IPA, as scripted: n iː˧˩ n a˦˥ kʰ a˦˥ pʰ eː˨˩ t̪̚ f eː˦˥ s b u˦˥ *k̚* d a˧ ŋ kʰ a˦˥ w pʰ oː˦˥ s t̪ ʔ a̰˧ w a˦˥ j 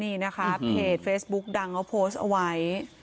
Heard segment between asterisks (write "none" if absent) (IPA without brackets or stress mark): k̚